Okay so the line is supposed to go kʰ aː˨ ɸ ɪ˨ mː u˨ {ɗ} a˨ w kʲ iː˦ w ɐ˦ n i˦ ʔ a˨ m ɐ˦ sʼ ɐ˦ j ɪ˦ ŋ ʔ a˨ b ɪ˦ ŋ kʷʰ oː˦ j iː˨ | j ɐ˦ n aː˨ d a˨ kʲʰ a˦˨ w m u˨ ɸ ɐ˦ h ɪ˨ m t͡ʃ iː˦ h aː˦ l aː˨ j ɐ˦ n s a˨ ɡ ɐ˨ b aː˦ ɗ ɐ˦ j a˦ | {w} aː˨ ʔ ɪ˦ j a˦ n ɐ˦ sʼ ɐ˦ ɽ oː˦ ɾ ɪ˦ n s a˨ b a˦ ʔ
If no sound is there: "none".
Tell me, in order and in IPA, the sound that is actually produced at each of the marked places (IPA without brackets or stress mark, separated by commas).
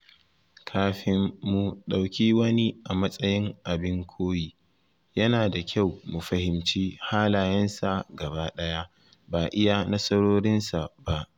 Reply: ɗ, b